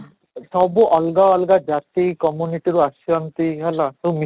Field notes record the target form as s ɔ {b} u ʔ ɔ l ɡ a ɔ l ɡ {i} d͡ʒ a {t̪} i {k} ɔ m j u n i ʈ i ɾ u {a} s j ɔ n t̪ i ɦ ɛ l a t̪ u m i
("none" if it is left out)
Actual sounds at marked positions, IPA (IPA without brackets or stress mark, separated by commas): b, a, t̪, k, a